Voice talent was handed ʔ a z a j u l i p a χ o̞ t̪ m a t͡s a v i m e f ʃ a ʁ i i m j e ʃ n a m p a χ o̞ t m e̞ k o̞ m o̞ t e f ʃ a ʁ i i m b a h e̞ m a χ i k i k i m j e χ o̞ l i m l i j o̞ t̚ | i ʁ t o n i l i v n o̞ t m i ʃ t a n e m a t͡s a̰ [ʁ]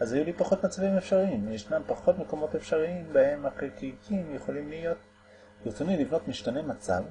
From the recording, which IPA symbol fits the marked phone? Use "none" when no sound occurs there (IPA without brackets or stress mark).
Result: v